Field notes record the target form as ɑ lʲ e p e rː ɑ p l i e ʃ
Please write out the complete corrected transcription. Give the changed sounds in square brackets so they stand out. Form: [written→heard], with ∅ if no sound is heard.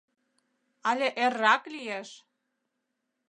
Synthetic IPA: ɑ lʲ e [p→ʔ] e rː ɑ [p→k] l i e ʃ

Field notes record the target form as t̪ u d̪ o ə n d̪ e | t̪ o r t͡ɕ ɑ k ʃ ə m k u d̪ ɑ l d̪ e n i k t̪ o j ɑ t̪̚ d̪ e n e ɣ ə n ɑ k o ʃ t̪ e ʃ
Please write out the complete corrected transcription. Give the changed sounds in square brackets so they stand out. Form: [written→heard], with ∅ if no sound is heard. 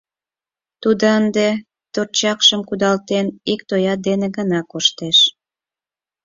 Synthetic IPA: t̪ u d̪ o ə n d̪ e | t̪ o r t͡ɕ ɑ k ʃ ə m k u d̪ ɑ l [d̪→t̪] e n i k t̪ o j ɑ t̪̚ d̪ e n e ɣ ə n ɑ k o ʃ t̪ e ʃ

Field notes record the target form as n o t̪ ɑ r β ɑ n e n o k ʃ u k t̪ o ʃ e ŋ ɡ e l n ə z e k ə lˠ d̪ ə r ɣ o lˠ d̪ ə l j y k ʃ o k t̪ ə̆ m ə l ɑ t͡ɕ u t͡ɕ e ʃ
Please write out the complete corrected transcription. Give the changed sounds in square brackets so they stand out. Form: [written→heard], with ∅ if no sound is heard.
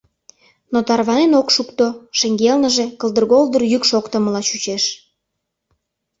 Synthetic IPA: n o t̪ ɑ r β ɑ n e n o k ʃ u k t̪ o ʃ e ŋ ɡ e l n ə [z→ʒ] e k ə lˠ d̪ ə r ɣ o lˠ d̪ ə [l→r] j y k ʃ o k t̪ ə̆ m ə l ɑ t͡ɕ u t͡ɕ e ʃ

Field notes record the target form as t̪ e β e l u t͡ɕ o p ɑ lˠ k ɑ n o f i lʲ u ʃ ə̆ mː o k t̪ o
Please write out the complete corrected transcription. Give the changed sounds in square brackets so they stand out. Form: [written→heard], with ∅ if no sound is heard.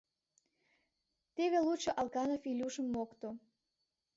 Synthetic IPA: t̪ e β e l u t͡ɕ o [p→ʔ] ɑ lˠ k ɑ n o f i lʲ u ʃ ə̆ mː o k t̪ o

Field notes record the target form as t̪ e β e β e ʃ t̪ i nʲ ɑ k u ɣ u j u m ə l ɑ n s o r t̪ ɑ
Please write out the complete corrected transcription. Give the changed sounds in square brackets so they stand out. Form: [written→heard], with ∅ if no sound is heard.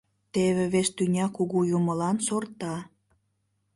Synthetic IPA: t̪ e β e β e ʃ t̪ [i→y] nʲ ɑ k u ɣ u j u m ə l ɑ n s o r t̪ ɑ

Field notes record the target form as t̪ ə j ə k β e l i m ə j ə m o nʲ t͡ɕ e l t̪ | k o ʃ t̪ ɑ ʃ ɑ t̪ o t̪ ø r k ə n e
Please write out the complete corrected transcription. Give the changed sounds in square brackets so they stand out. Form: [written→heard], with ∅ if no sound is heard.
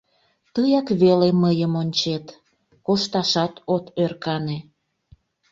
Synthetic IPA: t̪ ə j [ə→ɑ] k β e l [i→e] m ə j ə m o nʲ t͡ɕ e [l→∅] t̪ | k o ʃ t̪ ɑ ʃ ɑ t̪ o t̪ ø r k [ə→ɑ] n e

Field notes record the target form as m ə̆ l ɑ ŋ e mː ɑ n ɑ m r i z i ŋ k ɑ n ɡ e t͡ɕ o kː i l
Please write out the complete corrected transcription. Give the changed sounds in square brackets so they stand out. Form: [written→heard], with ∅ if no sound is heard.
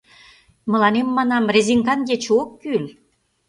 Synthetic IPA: m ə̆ l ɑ [ŋ→n] e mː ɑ n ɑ m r [i→e] z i ŋ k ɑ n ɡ e t͡ɕ o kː [i→y] l

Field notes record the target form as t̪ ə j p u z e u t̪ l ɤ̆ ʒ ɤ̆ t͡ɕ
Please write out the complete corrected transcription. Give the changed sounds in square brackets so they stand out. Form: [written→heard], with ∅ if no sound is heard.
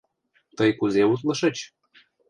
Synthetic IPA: t̪ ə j [p→k] u z e u t̪ l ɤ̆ [ʒ→ʃ] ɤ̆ t͡ɕ

